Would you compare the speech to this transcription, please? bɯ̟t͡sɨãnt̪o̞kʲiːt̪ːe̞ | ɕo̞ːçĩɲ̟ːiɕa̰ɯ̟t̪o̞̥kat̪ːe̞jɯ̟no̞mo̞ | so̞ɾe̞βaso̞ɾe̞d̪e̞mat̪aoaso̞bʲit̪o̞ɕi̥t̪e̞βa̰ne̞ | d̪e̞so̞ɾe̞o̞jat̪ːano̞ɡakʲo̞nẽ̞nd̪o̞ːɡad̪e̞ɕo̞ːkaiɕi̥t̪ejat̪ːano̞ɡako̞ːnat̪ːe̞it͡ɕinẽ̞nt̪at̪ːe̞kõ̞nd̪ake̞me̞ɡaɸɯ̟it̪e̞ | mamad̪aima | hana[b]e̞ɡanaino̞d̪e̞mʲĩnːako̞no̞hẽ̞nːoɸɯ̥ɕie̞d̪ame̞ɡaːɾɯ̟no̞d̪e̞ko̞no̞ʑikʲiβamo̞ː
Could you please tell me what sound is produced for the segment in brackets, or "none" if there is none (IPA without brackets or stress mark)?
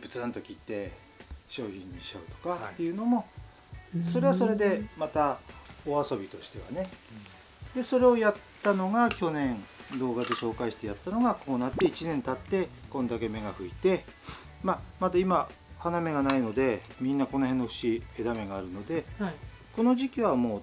m